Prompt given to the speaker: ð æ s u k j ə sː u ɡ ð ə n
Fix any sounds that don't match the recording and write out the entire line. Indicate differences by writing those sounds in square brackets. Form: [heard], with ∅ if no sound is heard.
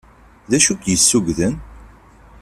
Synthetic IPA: ð æ [ʃ] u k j ə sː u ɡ ð ə n

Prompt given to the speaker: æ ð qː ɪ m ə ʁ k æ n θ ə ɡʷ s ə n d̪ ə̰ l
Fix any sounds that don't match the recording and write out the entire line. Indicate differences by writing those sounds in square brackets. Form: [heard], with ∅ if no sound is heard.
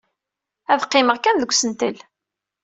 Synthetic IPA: æ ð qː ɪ m ə ʁ k æ n [ð] ə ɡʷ s ə n [t̪] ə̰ l

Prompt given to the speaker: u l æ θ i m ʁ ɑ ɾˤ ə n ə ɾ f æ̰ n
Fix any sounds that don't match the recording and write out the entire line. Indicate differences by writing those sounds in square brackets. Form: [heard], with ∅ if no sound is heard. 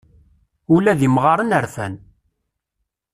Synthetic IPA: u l æ [ð] i m ʁ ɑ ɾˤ ə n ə ɾ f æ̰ n

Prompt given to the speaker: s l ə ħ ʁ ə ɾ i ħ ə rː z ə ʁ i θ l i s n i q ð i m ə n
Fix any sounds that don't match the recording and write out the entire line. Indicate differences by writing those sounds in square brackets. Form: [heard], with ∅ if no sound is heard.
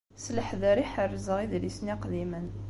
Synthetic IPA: s l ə ħ [ð] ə ɾ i ħ ə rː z ə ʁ i [ð] l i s n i q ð i m ə n

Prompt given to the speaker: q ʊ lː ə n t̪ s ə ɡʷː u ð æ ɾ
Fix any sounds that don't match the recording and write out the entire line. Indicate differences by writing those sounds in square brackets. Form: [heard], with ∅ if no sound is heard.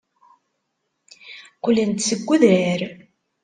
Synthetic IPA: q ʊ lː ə n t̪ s ə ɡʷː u ð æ ɾ

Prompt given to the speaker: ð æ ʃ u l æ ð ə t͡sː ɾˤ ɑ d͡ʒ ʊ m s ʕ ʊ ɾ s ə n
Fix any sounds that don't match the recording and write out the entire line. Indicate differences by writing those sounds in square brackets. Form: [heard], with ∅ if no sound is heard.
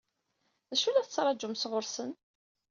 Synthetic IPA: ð æ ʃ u l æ [θ] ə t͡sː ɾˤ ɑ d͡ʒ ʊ m s [ʁ] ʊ ɾ s ə n

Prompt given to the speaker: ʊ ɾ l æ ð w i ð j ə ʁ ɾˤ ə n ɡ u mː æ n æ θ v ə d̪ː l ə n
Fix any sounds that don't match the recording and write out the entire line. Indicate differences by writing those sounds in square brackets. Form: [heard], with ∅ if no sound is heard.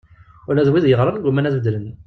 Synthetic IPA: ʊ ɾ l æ ð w i ð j ə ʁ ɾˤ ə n ɡ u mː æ n æ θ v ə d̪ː l ə n

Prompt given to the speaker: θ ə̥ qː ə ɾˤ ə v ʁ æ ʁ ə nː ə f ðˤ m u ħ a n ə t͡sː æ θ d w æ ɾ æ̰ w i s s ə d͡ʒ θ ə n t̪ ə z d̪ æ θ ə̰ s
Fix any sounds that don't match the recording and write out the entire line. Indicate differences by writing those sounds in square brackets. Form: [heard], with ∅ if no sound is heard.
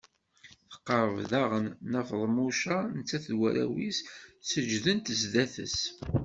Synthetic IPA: θ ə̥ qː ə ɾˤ ə v [ð] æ ʁ ə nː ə f ðˤ m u [ʃ] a n ə t͡sː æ θ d w æ ɾ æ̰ w i s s ə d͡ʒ [ð] ə n t̪ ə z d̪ æ θ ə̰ s

